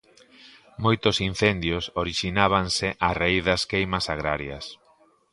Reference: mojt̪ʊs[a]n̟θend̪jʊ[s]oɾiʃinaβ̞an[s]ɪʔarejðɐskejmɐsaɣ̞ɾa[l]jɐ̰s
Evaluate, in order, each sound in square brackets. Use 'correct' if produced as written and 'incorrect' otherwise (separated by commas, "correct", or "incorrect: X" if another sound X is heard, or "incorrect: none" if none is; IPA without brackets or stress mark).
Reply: incorrect: i, correct, correct, incorrect: ɾ